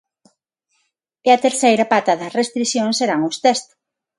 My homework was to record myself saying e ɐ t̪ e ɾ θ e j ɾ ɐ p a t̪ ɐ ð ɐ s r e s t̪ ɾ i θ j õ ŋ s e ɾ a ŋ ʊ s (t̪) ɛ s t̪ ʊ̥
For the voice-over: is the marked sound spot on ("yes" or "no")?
yes